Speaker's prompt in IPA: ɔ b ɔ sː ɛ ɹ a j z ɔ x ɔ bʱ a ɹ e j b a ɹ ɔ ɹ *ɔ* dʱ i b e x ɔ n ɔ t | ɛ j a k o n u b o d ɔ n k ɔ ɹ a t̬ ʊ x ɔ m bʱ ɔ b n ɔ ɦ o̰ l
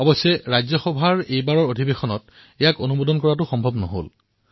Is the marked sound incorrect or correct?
incorrect: o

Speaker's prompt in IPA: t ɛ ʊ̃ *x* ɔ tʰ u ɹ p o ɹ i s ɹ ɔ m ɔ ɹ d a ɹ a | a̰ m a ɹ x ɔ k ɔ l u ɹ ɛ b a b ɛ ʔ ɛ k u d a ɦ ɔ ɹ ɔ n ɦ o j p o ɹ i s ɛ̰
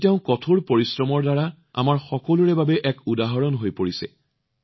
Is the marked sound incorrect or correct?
incorrect: k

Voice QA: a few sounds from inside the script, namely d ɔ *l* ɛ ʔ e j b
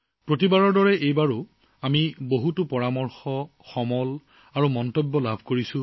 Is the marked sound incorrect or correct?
incorrect: ɹ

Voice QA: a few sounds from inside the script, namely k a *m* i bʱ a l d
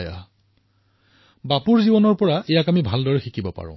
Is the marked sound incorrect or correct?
correct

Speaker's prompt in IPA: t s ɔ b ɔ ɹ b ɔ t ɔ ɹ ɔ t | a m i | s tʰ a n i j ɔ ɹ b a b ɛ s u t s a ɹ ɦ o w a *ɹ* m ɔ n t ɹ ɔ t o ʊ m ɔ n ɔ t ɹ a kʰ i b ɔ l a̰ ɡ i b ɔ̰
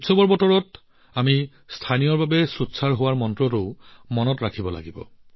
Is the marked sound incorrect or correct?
correct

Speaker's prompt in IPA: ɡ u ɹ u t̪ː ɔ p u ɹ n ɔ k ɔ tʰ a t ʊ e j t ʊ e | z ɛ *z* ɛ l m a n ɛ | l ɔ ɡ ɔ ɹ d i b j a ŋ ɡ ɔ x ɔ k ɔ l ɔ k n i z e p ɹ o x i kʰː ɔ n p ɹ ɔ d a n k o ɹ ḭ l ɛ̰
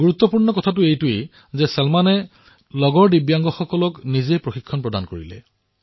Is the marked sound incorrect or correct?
incorrect: s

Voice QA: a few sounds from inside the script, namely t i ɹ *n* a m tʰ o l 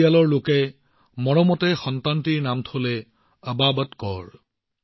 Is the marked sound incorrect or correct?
correct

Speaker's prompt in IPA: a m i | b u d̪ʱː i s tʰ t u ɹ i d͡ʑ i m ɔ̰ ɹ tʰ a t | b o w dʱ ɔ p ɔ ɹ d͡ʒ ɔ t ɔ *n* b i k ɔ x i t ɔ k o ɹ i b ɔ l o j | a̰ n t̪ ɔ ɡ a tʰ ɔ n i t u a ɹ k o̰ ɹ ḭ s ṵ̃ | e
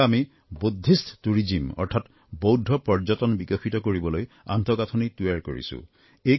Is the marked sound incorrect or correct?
correct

